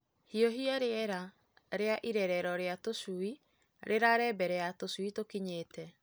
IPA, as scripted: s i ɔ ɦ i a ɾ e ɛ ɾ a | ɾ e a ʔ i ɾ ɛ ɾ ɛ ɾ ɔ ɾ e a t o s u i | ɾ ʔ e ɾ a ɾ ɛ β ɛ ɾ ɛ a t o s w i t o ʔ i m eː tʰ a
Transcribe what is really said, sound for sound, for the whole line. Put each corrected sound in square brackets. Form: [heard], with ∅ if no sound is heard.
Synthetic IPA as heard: [h] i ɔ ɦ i a ɾ e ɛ ɾ a | ɾ e a ʔ i ɾ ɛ ɾ ɛ ɾ ɔ ɾ e a t o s u i | ɾ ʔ e ɾ a ɾ ɛ [b] ɛ ɾ ɛ a t o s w i t o [k] i [ɲ] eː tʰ [ɛ]